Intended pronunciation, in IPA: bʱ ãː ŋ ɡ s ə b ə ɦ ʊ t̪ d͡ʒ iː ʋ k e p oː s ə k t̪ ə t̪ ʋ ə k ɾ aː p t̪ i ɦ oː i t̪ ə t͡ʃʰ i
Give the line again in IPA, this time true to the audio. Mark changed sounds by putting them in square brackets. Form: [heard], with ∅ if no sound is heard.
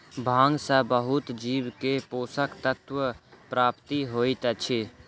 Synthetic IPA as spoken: bʱ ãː ŋ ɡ s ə b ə ɦ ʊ t̪ d͡ʒ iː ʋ k e p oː s ə k t̪ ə t̪ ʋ ə [p] ɾ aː p t̪ i ɦ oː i t̪ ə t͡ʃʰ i